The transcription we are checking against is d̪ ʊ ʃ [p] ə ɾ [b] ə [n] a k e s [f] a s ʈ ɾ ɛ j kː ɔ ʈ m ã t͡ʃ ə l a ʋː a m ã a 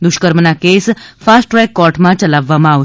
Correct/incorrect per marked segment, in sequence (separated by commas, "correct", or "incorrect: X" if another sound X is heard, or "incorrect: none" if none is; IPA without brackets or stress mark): incorrect: k, incorrect: m, correct, correct